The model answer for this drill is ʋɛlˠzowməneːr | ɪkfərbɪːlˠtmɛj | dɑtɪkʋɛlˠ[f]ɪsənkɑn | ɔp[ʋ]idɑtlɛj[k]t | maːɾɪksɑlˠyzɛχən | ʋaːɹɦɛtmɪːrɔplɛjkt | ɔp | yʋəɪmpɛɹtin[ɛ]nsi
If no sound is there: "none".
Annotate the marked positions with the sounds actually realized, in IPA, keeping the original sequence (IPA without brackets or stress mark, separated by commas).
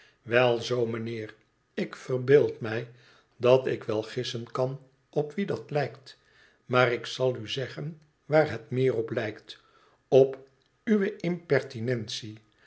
χ, ʋ, k, ɛ